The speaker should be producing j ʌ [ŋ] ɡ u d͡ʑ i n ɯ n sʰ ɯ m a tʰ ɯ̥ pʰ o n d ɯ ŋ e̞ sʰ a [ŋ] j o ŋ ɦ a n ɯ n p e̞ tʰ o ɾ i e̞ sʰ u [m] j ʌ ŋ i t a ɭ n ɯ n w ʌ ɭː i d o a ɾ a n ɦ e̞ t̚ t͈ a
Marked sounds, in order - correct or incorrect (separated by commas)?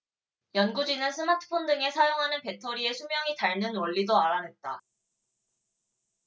incorrect, incorrect, correct